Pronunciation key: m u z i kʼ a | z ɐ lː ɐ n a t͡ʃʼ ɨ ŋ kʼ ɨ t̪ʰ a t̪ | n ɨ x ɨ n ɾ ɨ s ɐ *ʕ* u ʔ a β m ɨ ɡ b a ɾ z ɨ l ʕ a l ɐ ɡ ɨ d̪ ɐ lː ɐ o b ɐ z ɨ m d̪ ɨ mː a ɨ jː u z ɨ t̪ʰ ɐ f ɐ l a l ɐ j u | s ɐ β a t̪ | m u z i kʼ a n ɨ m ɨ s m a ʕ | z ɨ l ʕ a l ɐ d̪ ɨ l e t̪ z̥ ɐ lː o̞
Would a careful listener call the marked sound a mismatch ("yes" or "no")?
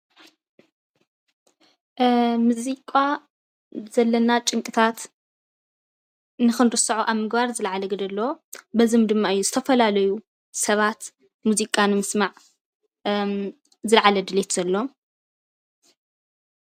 no